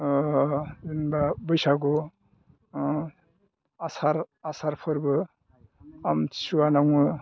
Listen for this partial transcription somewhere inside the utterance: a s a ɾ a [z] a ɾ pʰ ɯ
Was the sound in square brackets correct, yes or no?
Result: no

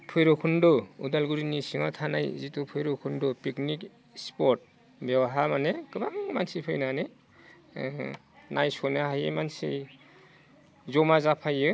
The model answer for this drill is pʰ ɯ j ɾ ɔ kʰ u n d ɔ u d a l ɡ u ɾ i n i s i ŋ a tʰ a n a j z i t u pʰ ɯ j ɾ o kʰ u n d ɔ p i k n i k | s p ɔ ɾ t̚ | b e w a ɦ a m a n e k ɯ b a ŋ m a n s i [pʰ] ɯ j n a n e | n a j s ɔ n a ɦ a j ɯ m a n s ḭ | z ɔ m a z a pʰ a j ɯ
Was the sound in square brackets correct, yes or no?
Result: yes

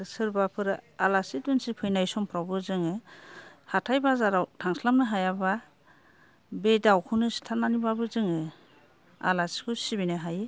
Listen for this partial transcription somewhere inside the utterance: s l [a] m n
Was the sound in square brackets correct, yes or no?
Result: yes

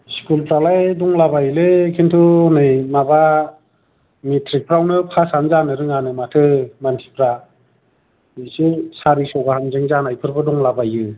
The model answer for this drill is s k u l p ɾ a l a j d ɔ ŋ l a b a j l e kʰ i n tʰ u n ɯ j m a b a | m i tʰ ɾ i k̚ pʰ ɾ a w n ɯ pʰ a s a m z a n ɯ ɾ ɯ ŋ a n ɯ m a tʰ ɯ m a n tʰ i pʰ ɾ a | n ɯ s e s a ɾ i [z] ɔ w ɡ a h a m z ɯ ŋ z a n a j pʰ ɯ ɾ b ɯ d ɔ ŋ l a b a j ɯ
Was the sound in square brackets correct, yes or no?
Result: no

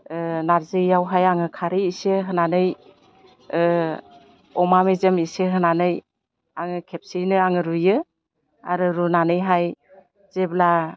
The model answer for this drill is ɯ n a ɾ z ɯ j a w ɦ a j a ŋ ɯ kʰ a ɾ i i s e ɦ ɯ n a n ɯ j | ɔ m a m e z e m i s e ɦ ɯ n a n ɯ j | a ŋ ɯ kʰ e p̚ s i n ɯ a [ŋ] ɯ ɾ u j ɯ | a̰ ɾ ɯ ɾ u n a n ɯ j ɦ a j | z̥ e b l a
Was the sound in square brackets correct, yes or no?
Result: yes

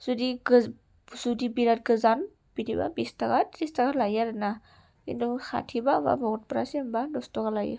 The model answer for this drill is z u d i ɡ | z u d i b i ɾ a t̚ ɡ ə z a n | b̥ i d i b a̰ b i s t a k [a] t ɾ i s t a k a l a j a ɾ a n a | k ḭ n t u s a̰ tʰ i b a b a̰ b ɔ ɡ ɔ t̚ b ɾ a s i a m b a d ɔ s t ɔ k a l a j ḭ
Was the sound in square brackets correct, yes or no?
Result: yes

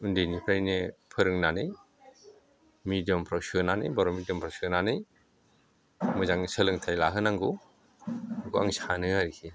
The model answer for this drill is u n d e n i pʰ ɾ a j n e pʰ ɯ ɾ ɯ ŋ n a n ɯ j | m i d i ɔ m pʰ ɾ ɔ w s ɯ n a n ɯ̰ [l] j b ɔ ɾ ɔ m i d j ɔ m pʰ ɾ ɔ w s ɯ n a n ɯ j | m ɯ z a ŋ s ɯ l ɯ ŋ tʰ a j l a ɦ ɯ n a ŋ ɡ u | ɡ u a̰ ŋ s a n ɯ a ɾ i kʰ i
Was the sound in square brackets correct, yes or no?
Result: no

